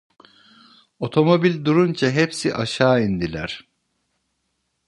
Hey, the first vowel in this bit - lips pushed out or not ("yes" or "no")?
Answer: yes